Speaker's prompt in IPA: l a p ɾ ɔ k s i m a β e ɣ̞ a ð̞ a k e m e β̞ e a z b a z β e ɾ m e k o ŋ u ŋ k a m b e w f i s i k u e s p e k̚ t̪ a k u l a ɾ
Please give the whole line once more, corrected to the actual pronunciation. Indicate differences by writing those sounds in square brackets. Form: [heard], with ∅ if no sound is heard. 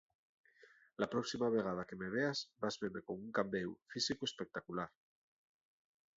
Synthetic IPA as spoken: l a p ɾ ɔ k s i m a β e ɣ̞ a ð̞ a k e m e β̞ e a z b a z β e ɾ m e k o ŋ u ŋ k a m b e w f i s i k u e s p e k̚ t̪ a k u l a ɾ